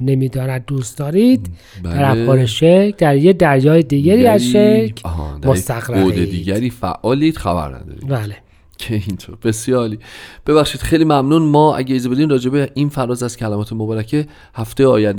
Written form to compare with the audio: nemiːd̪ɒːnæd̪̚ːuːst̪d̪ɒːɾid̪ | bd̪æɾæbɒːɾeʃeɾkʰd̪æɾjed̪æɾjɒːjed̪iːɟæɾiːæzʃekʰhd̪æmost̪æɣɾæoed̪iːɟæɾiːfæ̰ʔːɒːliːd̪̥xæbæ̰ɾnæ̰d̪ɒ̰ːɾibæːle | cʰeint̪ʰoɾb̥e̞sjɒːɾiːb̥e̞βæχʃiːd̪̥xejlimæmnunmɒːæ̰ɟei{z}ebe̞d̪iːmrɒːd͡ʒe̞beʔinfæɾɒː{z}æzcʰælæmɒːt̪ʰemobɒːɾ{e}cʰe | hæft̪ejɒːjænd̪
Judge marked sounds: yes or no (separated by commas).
yes, yes, no